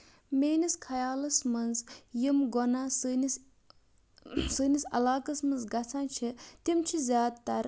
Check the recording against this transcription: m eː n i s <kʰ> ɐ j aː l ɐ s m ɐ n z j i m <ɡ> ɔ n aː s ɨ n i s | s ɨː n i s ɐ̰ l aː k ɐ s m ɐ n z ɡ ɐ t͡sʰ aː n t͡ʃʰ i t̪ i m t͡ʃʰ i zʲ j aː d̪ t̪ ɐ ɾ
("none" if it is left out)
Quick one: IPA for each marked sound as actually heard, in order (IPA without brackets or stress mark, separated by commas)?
kʰ, ɡ